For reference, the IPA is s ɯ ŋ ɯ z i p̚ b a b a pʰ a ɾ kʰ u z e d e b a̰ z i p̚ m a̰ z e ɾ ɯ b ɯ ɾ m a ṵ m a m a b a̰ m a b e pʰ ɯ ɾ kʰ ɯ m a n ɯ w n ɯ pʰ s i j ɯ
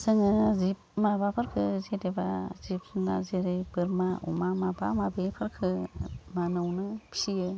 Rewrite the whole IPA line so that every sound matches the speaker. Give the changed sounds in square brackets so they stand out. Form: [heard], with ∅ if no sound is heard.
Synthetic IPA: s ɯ ŋ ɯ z i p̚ [m] a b a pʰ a ɾ kʰ [ɯ] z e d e b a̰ z i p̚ [n] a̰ z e ɾ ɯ b ɯ ɾ m a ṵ m a m a b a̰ m a b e pʰ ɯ ɾ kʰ ɯ m a n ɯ w n ɯ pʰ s i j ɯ